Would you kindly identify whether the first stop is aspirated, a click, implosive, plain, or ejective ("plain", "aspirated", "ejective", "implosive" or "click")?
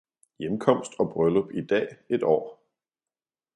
aspirated